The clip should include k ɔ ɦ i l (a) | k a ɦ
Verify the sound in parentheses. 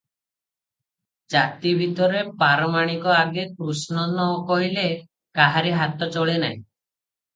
incorrect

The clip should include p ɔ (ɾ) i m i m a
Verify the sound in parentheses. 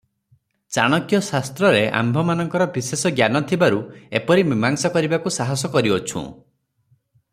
correct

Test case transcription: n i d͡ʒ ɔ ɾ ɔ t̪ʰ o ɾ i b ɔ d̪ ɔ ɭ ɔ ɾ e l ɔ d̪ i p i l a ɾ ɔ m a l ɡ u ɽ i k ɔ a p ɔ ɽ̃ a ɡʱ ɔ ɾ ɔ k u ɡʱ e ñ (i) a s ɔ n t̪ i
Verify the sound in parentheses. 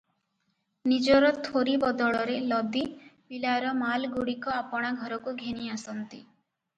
correct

